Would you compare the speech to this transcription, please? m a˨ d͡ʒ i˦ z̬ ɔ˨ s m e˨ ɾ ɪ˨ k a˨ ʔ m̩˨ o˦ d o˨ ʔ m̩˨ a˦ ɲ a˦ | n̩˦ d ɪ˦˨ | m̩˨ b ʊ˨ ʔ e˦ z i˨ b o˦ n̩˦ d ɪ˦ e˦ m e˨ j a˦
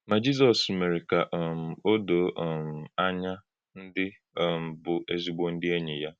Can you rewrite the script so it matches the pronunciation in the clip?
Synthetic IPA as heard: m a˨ d͡ʒ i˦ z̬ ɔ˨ s m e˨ ɾ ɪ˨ k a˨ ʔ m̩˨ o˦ d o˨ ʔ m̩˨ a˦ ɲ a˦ | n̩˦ d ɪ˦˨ | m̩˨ b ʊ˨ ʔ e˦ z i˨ ɡ͡b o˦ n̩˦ d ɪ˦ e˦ ɲ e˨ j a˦